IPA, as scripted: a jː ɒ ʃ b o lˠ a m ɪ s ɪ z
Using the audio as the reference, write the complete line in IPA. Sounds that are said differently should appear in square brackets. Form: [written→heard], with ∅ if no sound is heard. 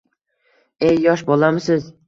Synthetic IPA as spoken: [a→e] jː ɒ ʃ b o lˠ a m ɪ s ɪ z